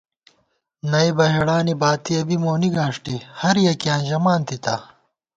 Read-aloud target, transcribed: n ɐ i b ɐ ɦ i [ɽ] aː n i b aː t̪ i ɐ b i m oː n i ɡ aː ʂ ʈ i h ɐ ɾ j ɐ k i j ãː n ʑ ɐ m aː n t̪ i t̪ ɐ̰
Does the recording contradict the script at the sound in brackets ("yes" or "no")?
no